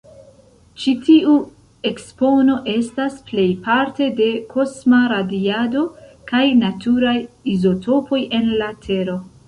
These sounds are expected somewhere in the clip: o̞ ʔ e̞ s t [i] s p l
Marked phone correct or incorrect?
incorrect